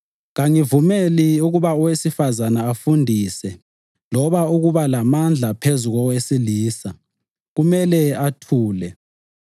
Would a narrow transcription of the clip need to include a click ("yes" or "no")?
no